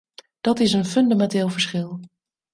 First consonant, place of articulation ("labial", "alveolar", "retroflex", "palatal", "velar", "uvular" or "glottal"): alveolar